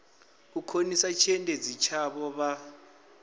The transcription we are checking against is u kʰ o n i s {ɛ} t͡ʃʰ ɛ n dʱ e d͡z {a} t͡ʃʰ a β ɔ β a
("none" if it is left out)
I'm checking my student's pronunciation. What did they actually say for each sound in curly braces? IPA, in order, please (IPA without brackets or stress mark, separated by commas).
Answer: a, i